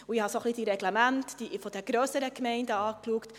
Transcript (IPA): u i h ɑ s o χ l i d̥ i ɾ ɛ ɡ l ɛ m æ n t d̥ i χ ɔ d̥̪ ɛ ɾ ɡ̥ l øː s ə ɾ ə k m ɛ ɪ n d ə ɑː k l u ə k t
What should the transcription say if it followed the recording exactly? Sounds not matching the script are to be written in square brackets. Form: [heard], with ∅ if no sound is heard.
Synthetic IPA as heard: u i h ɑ s o χ l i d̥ i ɾ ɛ ɡ l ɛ m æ n t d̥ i [f] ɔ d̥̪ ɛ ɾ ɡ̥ [ɾ] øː s ə ɾ ə k m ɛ ɪ n d ə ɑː k l u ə k t